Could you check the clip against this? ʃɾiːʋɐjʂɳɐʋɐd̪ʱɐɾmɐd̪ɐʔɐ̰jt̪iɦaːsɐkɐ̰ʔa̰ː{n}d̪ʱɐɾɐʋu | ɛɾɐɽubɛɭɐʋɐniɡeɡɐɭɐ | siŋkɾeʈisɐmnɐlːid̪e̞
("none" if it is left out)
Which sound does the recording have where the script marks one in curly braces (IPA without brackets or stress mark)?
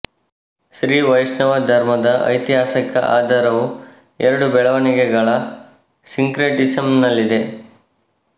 none